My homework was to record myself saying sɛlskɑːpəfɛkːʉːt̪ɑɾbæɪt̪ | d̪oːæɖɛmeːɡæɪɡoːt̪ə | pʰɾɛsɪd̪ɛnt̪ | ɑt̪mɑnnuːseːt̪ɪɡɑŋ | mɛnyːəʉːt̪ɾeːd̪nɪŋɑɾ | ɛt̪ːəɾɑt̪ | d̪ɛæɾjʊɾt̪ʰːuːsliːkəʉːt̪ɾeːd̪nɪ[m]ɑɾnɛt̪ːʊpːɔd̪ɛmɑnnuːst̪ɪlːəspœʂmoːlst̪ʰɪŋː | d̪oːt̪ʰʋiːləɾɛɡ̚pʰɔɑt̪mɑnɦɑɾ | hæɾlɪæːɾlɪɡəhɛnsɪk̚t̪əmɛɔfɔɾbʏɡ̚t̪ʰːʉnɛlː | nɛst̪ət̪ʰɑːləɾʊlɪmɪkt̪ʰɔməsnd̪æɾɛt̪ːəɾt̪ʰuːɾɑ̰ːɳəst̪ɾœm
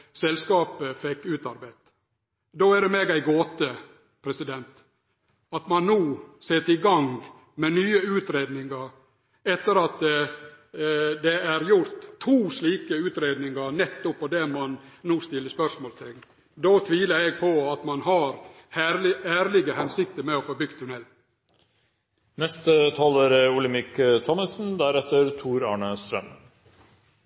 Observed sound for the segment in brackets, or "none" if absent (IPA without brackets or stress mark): ŋ